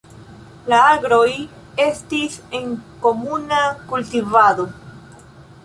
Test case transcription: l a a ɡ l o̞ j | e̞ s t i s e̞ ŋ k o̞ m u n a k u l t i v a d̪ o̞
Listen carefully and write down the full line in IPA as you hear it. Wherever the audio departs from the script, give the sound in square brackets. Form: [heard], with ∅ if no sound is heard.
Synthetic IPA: l a a ɡ [ɾ] o̞ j | e̞ s t i s e̞ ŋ k o̞ m u n a k u l t i v a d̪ o̞

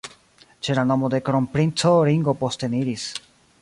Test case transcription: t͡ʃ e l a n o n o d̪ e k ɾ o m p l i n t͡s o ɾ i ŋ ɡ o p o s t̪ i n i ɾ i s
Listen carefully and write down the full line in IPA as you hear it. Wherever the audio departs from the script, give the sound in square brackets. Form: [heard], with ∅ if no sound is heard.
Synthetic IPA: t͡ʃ e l a n o [m] o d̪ e k ɾ o m p [ɾ] i n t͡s o ɾ i ŋ ɡ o p o s t̪ [e] n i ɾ i s

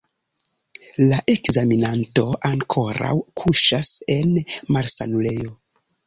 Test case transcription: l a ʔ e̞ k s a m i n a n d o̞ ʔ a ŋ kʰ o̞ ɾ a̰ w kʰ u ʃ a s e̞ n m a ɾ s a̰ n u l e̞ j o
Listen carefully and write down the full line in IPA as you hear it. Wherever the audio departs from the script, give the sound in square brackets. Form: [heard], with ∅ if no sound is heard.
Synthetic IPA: l a ʔ e̞ k [z] a m i n a n [t] o̞ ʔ a ŋ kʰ o̞ ɾ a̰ w kʰ u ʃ a s e̞ n m a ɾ s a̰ n u l e̞ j o

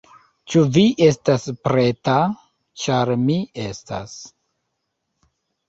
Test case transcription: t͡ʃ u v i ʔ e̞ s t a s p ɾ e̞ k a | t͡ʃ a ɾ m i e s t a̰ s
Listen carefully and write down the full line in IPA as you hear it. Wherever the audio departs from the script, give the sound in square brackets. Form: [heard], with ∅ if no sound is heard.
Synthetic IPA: t͡ʃ u v i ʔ e̞ s t a s p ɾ e̞ [t] a | t͡ʃ a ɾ m i e s t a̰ s

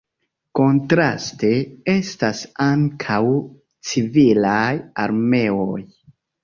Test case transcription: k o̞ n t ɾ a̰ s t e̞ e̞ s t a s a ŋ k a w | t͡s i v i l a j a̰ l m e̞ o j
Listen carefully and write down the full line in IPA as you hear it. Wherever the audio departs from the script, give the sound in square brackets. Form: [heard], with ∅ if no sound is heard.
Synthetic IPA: k o̞ n t ɾ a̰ s t e̞ e̞ s t a s a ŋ [kʰ] a w | t͡s i v i l a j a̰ [ɾ] m e̞ o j

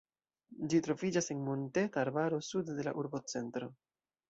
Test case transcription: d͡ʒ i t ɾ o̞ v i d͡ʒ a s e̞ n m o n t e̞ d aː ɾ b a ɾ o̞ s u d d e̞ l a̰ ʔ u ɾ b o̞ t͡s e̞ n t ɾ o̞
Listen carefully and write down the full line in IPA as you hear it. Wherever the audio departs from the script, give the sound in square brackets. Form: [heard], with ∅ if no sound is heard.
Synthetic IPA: d͡ʒ i t ɾ o̞ v i d͡ʒ a s e̞ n m o n t e̞ [t] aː ɾ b a ɾ o̞ s u d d e̞ l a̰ ʔ u ɾ b o̞ t͡s e̞ n t ɾ o̞

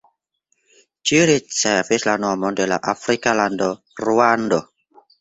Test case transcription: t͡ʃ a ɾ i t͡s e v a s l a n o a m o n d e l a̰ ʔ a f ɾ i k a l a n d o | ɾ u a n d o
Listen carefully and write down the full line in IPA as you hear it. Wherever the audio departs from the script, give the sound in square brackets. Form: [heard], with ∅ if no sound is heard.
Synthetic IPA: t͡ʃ [i] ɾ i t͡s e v [i] s l a n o a m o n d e l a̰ ʔ a f ɾ i k a l a n d o | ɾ u a n d o

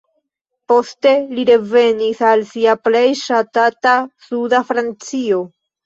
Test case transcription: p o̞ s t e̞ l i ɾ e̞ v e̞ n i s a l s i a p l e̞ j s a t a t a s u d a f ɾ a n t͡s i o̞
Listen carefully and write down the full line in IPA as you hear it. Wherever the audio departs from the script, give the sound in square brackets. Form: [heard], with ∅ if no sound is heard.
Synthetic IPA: p o̞ s t e̞ l i ɾ e̞ v e̞ n i s a l s i a p l e̞ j [ʃ] a t a t a s u d a f ɾ a n t͡s i o̞

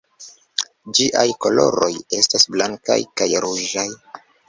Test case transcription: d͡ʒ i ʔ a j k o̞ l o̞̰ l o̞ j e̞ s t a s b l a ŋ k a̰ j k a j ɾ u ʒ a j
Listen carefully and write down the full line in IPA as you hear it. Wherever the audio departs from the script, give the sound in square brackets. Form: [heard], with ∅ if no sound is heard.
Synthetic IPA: d͡ʒ i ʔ a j k o̞ l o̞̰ [ɾ] o̞ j e̞ s t a s b l a ŋ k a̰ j k a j ɾ u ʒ a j

